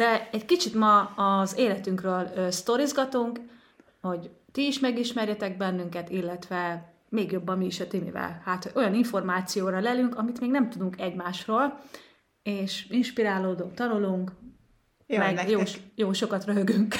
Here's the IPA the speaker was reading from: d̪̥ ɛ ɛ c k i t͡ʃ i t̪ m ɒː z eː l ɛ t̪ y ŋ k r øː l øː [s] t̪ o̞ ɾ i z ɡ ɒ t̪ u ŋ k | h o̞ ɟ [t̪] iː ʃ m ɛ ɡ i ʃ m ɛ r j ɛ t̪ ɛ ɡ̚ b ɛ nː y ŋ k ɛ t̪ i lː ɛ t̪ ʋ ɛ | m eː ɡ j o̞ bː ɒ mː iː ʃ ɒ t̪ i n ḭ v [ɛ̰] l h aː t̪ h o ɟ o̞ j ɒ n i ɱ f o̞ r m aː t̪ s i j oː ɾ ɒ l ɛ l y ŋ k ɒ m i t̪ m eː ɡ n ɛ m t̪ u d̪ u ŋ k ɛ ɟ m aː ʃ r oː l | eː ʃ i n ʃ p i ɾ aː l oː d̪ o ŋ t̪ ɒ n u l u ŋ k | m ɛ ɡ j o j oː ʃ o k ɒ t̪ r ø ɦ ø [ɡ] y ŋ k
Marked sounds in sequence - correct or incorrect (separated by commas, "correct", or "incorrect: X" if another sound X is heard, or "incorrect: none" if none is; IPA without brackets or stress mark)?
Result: correct, correct, correct, correct